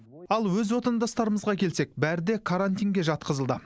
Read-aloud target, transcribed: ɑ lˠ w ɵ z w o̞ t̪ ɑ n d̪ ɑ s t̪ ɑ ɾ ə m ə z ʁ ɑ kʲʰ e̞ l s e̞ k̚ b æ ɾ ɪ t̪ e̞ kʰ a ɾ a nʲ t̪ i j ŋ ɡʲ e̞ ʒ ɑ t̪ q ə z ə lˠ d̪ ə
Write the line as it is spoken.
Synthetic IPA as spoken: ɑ lˠ w ɵ z w o̞ t̪ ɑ n d̪ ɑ s t̪ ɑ ɾ ə m ə z ʁ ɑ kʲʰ e̞ l s e̞ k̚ b æ ɾ ɪ d̪ e̞ kʰ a ɾ a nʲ t̪ i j ŋ ɡʲ e̞ ʒ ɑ t̪ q ə z ə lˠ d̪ ə